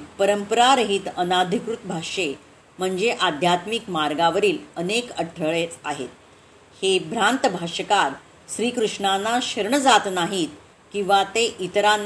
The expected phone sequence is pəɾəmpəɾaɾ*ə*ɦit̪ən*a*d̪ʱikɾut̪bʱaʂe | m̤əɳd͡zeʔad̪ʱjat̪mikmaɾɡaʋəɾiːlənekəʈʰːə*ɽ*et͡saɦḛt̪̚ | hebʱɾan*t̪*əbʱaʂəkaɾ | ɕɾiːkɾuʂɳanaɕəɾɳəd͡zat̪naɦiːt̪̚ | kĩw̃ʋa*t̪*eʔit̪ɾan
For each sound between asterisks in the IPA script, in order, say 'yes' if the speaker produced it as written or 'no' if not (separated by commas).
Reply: yes, yes, no, yes, yes